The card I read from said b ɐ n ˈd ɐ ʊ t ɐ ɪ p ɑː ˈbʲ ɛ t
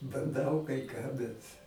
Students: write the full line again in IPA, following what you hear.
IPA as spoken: b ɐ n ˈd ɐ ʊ k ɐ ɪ k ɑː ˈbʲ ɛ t